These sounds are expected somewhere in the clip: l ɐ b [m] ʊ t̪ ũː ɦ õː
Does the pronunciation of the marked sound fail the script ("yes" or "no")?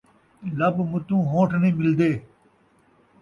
no